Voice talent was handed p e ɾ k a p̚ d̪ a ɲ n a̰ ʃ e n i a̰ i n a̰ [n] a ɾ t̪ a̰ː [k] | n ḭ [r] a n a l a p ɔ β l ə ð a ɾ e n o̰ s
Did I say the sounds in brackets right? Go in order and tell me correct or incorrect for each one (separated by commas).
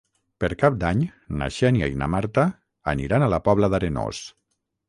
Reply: incorrect, incorrect, incorrect